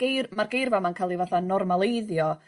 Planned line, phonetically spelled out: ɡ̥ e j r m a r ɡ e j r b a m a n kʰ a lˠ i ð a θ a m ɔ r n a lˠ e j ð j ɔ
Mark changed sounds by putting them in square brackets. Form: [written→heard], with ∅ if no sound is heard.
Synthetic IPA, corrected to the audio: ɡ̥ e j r m a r ɡ e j r [b→v] a m a n kʰ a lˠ i [ð→v] a θ a [m→n] ɔ r [n→m] a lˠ e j ð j ɔ